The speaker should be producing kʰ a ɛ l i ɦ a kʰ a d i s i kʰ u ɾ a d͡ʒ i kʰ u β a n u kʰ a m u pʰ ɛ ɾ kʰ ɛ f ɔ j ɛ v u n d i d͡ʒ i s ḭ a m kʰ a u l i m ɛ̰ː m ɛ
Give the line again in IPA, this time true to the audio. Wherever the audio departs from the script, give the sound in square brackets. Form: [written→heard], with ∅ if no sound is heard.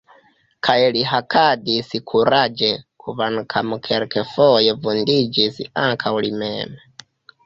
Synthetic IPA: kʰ a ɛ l i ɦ a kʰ a d i s i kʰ u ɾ a d͡ʒ [i→ɛ] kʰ u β a n u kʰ a m u [pʰ→kʰ] ɛ ɾ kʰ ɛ f ɔ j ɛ v u n d i d͡ʒ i s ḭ a [m→ŋ] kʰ a u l i m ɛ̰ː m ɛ